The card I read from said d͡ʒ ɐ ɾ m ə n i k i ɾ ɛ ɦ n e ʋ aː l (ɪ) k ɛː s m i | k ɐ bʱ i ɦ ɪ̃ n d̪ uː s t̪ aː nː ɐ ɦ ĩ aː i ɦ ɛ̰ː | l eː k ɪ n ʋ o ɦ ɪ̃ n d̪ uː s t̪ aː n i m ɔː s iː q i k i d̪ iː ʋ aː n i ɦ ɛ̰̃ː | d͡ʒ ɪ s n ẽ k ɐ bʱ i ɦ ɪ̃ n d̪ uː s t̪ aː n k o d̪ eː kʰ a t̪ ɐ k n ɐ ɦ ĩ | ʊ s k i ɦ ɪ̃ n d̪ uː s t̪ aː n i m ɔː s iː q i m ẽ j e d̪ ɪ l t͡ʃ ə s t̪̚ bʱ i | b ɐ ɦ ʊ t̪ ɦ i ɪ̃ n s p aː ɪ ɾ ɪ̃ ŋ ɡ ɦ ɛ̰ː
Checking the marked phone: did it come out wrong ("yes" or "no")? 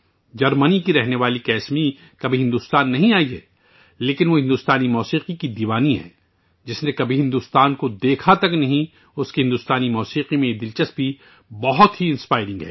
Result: yes